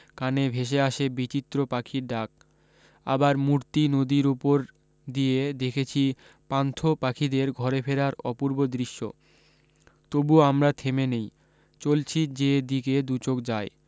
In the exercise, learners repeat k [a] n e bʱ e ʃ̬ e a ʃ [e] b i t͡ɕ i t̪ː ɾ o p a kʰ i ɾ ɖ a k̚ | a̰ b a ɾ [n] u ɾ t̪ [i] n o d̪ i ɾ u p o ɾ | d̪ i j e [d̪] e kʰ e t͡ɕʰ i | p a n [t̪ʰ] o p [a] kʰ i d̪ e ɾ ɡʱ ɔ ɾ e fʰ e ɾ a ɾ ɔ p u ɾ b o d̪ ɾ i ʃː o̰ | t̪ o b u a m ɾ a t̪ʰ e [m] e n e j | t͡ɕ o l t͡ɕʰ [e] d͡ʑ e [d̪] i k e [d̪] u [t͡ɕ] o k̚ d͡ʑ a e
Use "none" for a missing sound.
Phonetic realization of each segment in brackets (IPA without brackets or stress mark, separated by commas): a, e, m, i, d̪, t̪ʰ, a, m, i, d̪, d̪, t͡ɕ